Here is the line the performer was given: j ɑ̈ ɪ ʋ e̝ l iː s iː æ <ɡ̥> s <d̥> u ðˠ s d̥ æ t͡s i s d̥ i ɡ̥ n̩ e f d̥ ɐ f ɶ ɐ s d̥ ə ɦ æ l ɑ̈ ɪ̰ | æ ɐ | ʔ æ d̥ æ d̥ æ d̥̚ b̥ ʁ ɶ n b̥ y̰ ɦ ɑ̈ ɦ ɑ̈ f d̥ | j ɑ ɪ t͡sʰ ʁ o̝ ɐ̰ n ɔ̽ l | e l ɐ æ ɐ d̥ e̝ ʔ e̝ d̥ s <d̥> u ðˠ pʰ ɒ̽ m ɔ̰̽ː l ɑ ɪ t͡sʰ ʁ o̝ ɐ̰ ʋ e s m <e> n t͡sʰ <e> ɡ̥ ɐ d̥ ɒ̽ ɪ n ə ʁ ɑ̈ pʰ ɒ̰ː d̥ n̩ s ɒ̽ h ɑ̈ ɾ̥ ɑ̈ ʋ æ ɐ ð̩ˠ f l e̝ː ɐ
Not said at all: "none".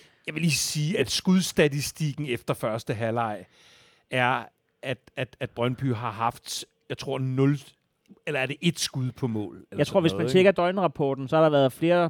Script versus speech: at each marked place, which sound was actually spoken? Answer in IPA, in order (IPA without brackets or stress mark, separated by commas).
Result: d̥, ɡ̥, ɡ̥, æ, e